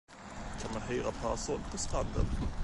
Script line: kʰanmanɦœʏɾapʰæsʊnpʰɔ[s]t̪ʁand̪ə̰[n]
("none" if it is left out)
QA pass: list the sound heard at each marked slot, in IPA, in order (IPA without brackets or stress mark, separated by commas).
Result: s, n